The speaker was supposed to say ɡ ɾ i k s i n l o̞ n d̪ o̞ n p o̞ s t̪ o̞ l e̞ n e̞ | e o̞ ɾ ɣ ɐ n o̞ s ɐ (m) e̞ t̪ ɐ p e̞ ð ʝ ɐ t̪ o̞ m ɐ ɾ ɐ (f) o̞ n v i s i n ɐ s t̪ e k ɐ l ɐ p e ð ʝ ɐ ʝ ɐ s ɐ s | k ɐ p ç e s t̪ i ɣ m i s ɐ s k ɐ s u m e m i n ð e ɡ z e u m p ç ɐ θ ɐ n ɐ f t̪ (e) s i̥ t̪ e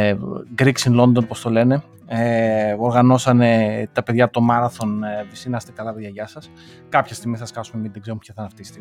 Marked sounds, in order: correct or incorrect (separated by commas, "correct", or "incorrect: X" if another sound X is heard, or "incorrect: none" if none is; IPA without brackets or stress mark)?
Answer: incorrect: n, incorrect: θ, incorrect: i